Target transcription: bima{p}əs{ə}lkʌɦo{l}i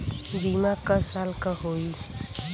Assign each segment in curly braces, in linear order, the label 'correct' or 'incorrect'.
incorrect: k, incorrect: a, incorrect: none

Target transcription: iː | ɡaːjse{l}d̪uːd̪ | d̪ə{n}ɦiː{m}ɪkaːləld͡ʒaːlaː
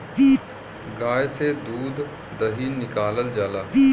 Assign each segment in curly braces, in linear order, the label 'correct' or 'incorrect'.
incorrect: none, incorrect: none, incorrect: n

